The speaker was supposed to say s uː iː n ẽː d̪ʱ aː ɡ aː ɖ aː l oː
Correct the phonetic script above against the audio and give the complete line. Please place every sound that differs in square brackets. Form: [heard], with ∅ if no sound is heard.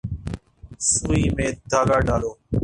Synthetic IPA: s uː iː [m] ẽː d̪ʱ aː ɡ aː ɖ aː l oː